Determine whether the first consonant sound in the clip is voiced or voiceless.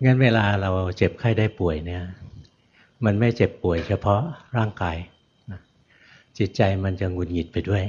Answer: voiced